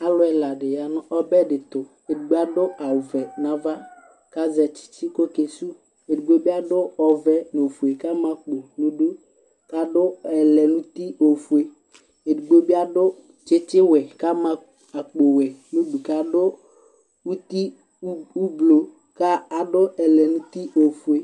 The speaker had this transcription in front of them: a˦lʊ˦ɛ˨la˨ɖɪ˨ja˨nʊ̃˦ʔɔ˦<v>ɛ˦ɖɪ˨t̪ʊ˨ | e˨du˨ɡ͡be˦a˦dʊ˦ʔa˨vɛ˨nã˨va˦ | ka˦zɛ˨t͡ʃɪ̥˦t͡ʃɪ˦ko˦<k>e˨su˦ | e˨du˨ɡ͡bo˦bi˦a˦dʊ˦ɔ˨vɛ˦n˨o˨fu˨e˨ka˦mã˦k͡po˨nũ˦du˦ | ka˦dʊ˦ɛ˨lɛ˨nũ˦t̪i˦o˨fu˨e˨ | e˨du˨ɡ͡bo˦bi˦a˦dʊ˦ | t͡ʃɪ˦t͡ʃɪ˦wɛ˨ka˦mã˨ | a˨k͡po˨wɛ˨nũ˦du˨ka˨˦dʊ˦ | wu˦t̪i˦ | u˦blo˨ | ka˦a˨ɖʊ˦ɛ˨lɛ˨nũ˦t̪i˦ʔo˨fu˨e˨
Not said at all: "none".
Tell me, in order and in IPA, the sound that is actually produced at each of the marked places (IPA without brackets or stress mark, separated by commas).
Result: b, k